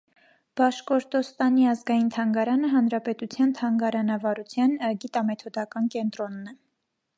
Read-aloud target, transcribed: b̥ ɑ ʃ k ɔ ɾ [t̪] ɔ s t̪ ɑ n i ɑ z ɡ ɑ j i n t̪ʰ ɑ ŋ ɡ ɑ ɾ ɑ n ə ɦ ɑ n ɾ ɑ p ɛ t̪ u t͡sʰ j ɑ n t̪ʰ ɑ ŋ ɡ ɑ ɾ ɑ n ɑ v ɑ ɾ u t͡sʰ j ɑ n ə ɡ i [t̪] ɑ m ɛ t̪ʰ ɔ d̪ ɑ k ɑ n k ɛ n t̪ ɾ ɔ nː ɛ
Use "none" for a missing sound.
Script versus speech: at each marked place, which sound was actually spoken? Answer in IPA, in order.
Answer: t̪, t̪

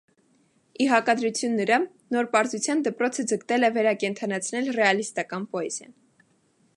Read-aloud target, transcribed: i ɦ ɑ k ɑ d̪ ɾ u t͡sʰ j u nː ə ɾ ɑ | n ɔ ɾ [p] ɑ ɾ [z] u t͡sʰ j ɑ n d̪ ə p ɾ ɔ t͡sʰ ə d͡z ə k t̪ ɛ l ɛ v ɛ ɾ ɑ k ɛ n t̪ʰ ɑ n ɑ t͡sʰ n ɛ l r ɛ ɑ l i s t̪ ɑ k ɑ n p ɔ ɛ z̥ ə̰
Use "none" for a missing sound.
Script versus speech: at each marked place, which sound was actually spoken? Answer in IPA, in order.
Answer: p, z

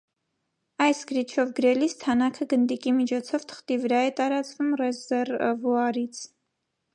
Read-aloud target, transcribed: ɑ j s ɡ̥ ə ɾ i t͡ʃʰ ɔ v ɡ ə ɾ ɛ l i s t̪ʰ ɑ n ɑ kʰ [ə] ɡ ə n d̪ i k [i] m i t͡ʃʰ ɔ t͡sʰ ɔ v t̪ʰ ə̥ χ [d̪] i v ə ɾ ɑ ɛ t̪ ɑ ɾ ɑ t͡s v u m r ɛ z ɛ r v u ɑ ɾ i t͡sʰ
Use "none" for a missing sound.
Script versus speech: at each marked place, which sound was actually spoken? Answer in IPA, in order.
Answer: ə, i, t̪

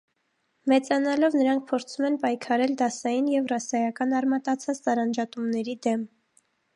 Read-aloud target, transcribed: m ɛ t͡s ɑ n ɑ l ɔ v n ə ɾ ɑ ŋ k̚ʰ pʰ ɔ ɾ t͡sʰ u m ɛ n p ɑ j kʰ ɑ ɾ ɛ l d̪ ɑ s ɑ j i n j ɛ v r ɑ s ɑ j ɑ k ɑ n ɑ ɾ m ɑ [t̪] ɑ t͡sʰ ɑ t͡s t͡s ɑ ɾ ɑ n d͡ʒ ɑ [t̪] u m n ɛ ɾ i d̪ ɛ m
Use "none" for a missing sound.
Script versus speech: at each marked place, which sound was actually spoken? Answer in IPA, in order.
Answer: t̪, t̪

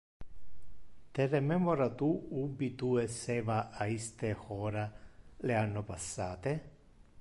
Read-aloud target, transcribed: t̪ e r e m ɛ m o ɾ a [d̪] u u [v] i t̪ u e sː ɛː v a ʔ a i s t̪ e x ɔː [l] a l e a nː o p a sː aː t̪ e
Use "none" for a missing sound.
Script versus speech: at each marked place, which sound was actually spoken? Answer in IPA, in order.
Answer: t̪, b, ɾ

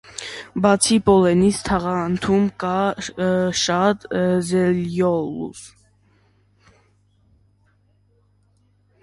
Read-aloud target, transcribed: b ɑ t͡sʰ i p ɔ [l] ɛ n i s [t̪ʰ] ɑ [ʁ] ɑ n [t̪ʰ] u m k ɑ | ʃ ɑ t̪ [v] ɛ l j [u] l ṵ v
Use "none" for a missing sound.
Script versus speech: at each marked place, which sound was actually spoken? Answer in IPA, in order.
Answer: l, t̪ʰ, ʁ, t̪ʰ, z, ɔ

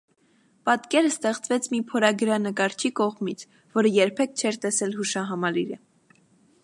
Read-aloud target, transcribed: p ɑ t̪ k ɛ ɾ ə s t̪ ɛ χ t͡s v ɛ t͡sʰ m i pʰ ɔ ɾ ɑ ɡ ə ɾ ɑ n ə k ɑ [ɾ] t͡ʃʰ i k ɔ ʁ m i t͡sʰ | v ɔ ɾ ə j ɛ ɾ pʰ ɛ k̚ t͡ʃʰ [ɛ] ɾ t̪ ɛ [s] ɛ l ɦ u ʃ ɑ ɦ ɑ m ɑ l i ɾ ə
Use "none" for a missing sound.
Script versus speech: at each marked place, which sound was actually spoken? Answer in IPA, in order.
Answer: ɾ, ɛ, s

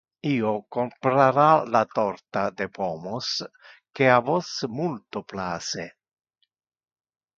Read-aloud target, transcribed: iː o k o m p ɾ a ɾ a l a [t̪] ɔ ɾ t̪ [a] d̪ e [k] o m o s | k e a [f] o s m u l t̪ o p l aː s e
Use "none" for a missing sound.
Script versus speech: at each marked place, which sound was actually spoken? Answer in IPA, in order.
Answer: t̪, a, p, v

